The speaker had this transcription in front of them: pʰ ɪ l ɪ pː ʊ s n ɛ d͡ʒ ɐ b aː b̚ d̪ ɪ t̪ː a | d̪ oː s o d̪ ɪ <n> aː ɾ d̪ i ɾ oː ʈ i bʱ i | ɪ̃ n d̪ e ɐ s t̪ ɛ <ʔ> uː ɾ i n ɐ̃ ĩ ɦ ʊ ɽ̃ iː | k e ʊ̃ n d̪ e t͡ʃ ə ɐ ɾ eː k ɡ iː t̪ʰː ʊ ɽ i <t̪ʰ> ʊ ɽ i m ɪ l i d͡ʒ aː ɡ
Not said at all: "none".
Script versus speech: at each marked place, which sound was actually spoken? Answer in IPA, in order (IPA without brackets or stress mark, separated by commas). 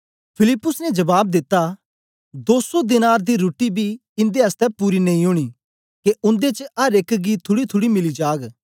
n, p, t̪ʰ